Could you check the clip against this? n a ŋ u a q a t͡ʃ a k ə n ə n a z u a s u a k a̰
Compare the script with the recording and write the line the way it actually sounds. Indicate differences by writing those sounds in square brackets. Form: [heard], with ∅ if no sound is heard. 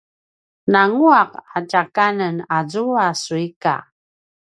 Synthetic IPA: n a ŋ u a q a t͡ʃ a k [a] n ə n a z u a s u [i] k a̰